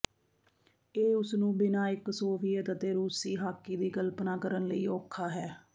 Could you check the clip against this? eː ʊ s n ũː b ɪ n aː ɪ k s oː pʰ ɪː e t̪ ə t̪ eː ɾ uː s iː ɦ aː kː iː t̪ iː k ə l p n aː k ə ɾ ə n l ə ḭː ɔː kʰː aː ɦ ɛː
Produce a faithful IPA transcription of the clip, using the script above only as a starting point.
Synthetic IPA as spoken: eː ʊ s n ũː b ɪ n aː ɪ k s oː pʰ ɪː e t̪ ə t̪ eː ɾ uː s iː ɦ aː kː iː d̪ iː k ə l p n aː k ə ɾ ə n l ə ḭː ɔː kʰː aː ɦ ɛː

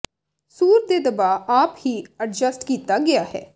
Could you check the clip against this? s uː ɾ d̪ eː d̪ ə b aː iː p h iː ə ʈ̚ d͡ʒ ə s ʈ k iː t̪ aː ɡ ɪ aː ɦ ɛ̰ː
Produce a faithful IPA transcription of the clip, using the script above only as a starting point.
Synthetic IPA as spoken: s uː ɾ d̪ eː d̪ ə b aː aː p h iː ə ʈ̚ d͡ʒ ə s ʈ k iː t̪ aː ɡ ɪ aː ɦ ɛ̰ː

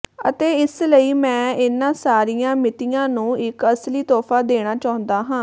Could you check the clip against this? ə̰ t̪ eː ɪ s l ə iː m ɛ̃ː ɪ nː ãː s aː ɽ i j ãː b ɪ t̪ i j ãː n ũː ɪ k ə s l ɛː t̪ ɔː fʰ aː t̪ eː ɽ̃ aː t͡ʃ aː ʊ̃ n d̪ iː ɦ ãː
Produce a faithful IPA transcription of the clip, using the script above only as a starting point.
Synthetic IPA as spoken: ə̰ t̪ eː ɪ s l ə iː m ɛ̃ː ɪ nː ãː s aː ɾ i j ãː m ɪ t̪ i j ãː n ũː ɪ k ə s l iː t̪ ɔː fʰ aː d̪ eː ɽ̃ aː t͡ʃ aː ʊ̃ n d̪ aː ɦ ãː

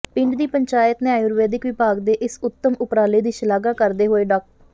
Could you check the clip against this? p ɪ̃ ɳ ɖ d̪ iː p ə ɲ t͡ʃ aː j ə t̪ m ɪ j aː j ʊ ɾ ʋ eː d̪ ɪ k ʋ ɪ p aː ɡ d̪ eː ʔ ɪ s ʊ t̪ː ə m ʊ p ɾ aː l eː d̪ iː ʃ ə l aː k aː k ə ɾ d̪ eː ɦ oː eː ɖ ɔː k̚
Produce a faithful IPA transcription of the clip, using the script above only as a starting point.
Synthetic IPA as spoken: p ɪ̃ ɳ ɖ d̪ iː p ə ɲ t͡ʃ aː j ə t̪ n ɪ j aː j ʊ ɾ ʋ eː d̪ ɪ k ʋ ɪ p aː ɡ d̪ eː ʔ ɪ s ʊ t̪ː ə m ʊ p ɾ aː l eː d̪ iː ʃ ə l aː ɡ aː k ə ɾ d̪ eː ɦ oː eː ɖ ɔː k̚

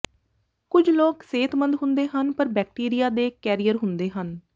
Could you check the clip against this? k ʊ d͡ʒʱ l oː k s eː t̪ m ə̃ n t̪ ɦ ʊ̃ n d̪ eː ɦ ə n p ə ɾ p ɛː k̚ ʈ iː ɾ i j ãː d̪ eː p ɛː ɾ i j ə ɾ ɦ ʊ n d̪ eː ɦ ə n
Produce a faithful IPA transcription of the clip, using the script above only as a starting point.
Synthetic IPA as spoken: k ʊ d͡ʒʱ l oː k s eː t̪ m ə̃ n d̪ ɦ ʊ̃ n d̪ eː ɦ ə n p ə ɾ b ɛː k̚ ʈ iː ɾ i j aː d̪ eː k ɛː ɾ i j ə ɾ ɦ ʊ n d̪ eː ɦ ə n

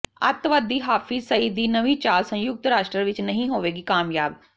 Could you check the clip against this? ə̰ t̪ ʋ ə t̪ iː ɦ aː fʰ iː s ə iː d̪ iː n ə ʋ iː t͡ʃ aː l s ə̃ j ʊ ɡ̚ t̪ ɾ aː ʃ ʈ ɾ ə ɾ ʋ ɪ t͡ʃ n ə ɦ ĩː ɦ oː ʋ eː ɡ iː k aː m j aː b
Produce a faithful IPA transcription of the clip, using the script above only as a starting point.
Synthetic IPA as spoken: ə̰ t̪ ʋ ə d̪ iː ɦ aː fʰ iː s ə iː d̪ iː n ə ʋ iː t͡ʃ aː l s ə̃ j ʊ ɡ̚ t̪ ɾ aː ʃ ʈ ɾ ə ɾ ʋ ɪ t͡ʃ n ə ɦ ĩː ɦ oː ʋ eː ɡ iː k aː m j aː b

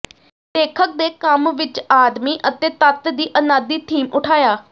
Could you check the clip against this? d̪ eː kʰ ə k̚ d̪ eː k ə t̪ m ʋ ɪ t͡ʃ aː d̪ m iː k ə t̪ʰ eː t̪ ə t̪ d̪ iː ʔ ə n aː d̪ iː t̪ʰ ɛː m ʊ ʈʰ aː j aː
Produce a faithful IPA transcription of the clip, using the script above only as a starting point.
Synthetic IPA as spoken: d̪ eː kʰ ə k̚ d̪ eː k ə m ʋ ɪ t͡ʃ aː d̪ m iː ʔ ə t̪ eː t̪ ə t̪ d̪ iː ʔ ə n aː d̪ iː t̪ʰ iː m ʊ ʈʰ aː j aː

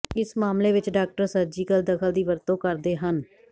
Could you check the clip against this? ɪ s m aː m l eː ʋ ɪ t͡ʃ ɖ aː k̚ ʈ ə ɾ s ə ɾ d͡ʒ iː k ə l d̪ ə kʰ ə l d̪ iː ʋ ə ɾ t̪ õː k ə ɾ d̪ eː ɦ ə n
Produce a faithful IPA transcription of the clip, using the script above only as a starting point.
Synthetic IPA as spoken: ɪ s m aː m l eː ʋ ɪ t͡ʃ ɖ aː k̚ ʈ ə ɾ s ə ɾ d͡ʒ iː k ə l d̪ ə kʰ ə l d̪ iː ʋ ə ɾ t̪ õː k ə ɾ d̪ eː ɦ ə n

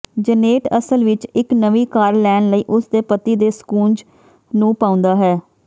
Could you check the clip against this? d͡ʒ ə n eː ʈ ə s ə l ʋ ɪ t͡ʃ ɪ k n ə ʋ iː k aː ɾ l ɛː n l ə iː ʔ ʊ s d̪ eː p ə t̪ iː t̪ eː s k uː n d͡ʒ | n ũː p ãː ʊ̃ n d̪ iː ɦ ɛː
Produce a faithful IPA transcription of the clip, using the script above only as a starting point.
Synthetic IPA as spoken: d͡ʒ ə n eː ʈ ə s ə l ʋ ɪ t͡ʃ ɪ k n ə ʋ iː k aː ɾ l ɛː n l ə iː ʔ ʊ s d̪ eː p ə t̪ iː d̪ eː s k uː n d͡ʒ | n ũː p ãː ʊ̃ n d̪ aː ɦ ɛː

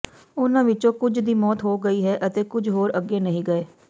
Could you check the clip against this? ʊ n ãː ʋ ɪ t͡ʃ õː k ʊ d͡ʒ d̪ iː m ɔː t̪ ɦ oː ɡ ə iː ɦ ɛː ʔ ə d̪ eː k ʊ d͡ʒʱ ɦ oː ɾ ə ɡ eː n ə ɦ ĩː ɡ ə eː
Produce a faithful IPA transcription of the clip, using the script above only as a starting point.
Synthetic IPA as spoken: ʊ n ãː ʋ ɪ t͡ʃ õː k ʊ d͡ʒ d̪ iː m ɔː t̪ ɦ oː ɡ ə iː ɦ ɛː ʔ ə t̪ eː k ʊ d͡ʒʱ ɦ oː ɾ ə ɡ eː n ə ɦ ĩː ɡ ə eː

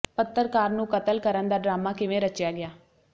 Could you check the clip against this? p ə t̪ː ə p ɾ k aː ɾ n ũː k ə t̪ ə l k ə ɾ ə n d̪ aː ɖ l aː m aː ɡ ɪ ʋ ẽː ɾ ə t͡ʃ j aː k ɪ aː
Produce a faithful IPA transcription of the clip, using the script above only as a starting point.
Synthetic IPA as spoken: p ə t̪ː ə ɾ k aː ɾ n ũː k ə t̪ ə l k ə ɾ ə n d̪ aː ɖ ɾ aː m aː k ɪ ʋ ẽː ɾ ə t͡ʃ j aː ɡ ɪ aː

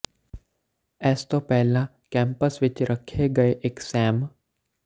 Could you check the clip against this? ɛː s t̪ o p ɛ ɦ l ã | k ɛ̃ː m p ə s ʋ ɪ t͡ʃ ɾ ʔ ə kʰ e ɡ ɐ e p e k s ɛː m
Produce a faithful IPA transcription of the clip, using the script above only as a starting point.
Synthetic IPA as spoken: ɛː s t̪ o p ɛ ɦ l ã | k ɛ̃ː m p ə s ʋ ɪ t͡ʃ ɾ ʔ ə kʰ e ɡ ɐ e ʔ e k s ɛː m

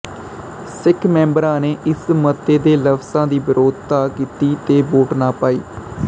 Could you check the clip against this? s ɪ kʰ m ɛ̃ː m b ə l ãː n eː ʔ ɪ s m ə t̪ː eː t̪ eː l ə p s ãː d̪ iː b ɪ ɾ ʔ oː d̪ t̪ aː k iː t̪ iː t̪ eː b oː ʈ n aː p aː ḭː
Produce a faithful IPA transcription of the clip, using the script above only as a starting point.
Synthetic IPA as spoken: s ɪ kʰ m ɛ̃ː m b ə ɾ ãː n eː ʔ ɪ s m ə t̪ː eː d̪ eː l ə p s ãː d̪ iː b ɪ ɾ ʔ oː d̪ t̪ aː k iː t̪ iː t̪ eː b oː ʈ n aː p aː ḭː

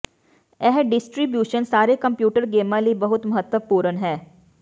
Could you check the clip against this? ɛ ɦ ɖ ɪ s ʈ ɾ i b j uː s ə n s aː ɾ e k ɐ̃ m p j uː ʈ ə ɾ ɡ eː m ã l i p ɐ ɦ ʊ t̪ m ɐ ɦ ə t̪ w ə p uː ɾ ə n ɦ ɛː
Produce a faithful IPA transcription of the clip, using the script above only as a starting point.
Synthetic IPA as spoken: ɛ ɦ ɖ ɪ s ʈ ɾ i b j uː ʃ ə n s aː ɾ e k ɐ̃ m p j uː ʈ ə ɾ ɡ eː m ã l i b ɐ ɦ ʊ t̪ m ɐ ɦ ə t̪ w ə p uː ɾ ə n ɦ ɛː

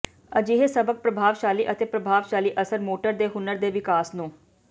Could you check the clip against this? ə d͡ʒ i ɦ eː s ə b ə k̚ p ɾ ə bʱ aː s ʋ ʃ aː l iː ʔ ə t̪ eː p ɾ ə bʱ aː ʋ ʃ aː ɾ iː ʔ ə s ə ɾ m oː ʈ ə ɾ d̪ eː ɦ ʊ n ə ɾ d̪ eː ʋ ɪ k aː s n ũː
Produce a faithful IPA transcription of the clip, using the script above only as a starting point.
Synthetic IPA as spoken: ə d͡ʒ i ɦ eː s ə b ə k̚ p ɾ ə bʱ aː ʋ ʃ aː l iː ʔ ə t̪ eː p ɾ ə bʱ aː ʋ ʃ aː l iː ʔ ə s ə ɾ m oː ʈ ə ɾ d̪ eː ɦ ʊ n ə ɾ d̪ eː ʋ ɪ k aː s n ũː

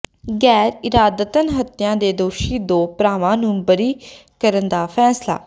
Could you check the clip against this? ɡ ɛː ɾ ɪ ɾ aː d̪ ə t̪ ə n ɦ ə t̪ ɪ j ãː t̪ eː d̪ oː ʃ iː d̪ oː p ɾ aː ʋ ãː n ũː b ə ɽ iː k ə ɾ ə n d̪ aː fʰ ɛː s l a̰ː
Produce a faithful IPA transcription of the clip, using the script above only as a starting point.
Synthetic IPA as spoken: ɡ ɛː ɾ ɪ ɾ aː d̪ ə t̪ ə n ɦ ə t̪ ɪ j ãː d̪ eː d̪ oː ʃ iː d̪ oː p ɾ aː ʋ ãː n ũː b ə ɾ iː k ə ɾ ə n d̪ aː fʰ ɛː s l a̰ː

